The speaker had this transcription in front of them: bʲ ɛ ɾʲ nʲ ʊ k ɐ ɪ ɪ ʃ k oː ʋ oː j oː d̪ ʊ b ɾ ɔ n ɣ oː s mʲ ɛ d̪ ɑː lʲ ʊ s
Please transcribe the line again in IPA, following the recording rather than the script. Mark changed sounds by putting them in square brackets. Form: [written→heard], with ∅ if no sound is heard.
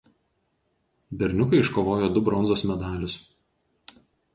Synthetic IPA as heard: bʲ ɛ ɾʲ nʲ ʊ k ɐ ɪ ɪ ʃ k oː ʋ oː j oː d̪ ʊ b ɾ ɔ n [ɣ→z] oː s mʲ ɛ d̪ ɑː lʲ ʊ s

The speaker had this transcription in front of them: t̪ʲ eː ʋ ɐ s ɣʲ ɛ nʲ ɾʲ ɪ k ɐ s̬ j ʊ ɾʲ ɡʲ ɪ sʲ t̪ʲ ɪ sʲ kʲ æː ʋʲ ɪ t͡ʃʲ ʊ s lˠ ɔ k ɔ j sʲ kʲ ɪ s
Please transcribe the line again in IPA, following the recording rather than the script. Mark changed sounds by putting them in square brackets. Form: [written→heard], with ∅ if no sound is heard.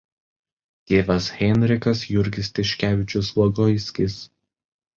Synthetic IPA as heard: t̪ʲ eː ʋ ɐ s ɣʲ ɛ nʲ ɾʲ ɪ k ɐ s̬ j ʊ ɾʲ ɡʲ ɪ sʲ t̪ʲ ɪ [sʲ→ʃʲ] kʲ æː ʋʲ ɪ t͡ʃʲ ʊ s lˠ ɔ [k→ɡ] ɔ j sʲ kʲ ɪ s

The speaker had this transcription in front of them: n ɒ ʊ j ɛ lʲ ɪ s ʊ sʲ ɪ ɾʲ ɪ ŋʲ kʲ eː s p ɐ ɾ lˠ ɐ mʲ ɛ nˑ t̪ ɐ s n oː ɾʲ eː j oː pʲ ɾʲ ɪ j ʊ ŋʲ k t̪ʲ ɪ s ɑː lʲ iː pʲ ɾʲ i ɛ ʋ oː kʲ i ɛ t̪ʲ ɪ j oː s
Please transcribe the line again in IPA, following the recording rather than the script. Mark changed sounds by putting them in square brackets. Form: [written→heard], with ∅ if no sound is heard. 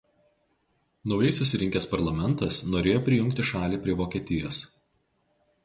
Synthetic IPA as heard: n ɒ ʊ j ɛ [lʲ→∅] ɪ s ʊ sʲ ɪ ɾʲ ɪ ŋʲ kʲ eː s p ɐ ɾ lˠ ɐ mʲ ɛ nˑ t̪ ɐ s n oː ɾʲ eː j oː pʲ ɾʲ ɪ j ʊ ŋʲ k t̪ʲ ɪ [s→ʃ] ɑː lʲ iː pʲ ɾʲ i ɛ ʋ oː kʲ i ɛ t̪ʲ ɪ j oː s

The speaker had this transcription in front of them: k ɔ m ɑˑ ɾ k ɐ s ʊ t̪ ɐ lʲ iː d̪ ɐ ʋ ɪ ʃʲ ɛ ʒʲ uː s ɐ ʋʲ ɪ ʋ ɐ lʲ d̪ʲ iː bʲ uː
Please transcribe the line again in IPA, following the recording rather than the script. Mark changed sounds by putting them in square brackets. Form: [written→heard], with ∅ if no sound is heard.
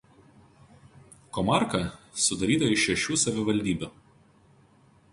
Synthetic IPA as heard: k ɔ m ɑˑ ɾ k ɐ s ʊ [t̪→d̪] ɐ [lʲ→ɾʲ] iː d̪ ɐ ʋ ɪ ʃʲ ɛ [ʒʲ→ʃʲ] uː s ɐ ʋʲ ɪ ʋ ɐ lʲ d̪ʲ iː bʲ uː

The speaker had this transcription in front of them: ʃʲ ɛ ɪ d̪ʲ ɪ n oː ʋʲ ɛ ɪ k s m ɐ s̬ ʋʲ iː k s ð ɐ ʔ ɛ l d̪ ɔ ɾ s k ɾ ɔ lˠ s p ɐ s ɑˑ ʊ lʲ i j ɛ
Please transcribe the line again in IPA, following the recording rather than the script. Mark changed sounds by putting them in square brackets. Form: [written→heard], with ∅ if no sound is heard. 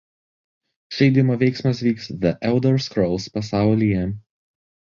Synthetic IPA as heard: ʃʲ ɛ ɪ d̪ʲ ɪ [n→m] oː ʋʲ ɛ ɪ k s m ɐ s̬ ʋʲ iː k s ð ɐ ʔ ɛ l d̪ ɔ ɾ s k ɾ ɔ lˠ s p ɐ s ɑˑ ʊ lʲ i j ɛ

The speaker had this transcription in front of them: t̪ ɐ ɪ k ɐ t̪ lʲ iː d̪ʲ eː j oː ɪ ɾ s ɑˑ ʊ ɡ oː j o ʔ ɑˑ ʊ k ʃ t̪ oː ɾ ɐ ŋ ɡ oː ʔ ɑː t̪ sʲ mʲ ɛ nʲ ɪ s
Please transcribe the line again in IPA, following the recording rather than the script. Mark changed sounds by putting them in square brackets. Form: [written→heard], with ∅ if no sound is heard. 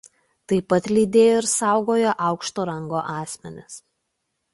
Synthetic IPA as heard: t̪ ɐ ɪ [k→p] ɐ t̪ lʲ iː d̪ʲ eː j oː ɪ ɾ s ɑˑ ʊ ɡ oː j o ʔ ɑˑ ʊ k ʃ t̪ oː ɾ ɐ ŋ ɡ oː ʔ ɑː [t̪→∅] sʲ mʲ ɛ nʲ ɪ s

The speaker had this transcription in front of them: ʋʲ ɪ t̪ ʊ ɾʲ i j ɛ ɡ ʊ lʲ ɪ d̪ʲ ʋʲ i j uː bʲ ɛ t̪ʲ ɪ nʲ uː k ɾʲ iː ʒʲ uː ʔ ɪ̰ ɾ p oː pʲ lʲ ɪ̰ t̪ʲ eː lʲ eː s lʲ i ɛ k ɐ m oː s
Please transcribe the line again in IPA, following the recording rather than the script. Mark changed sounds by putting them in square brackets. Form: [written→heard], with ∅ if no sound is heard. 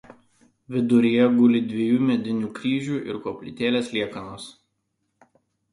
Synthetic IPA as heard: ʋʲ ɪ [t̪→d̪] ʊ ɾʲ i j ɛ ɡ ʊ lʲ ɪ d̪ʲ ʋʲ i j uː [bʲ→mʲ] ɛ [t̪ʲ→d̪ʲ] ɪ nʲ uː k ɾʲ iː ʒʲ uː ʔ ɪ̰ ɾ [p→k] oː pʲ lʲ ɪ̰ t̪ʲ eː lʲ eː s lʲ i ɛ k ɐ [m→n] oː s

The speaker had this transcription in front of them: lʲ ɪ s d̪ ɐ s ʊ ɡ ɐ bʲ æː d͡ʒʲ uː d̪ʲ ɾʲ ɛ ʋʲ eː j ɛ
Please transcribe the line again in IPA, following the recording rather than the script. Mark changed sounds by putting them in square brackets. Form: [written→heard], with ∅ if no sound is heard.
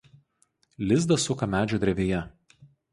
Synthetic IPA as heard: lʲ ɪ [s→z] d̪ ɐ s ʊ [ɡ→k] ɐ [bʲ→mʲ] æː d͡ʒʲ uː d̪ʲ ɾʲ ɛ ʋʲ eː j ɛ

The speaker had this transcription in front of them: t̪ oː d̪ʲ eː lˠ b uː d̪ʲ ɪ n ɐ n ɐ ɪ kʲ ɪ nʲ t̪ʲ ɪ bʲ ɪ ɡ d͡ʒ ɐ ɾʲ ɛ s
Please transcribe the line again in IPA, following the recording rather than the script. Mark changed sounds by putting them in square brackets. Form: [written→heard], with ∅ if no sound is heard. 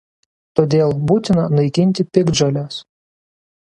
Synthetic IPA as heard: t̪ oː d̪ʲ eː lˠ b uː [d̪ʲ→t̪ʲ] ɪ n ɐ n ɐ ɪ kʲ ɪ nʲ t̪ʲ ɪ [bʲ→pʲ] ɪ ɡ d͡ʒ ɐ [ɾʲ→lʲ] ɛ s

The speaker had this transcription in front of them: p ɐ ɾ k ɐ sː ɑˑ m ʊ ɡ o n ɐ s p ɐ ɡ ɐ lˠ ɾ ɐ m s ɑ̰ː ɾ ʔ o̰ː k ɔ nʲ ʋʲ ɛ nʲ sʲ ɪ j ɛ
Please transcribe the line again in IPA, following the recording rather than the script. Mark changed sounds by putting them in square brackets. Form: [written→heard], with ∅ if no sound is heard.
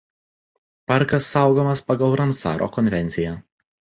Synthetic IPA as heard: p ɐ ɾ k ɐ sː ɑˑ [m→∅] ʊ ɡ o [n→m] ɐ s p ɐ ɡ ɐ lˠ ɾ ɐ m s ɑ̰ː ɾ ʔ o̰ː k ɔ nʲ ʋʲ ɛ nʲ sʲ ɪ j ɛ

